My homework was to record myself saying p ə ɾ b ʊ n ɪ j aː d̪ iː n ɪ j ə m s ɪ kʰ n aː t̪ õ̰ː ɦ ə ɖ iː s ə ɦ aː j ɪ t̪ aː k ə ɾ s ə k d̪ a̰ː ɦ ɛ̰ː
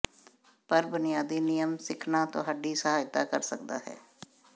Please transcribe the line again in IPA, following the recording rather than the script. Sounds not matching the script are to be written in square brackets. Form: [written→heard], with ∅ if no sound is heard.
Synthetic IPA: p ə ɾ b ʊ n ɪ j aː d̪ iː n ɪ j ə m s ɪ kʰ n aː t̪ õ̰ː ɦ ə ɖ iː s ə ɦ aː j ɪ t̪ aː k ə ɾ s ə k d̪ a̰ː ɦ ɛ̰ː